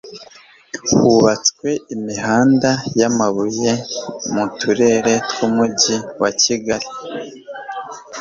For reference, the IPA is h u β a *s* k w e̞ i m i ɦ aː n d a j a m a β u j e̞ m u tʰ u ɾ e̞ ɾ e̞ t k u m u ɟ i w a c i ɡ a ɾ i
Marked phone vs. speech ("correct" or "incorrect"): incorrect